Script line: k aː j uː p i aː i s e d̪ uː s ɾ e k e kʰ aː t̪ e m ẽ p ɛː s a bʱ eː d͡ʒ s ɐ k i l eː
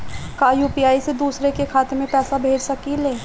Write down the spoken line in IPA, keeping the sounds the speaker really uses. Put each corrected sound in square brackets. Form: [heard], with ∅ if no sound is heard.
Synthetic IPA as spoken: k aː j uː p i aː i s e d̪ uː s ɾ e k e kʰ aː t̪ e m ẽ p ɛː s a bʱ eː d͡ʒ s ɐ k i l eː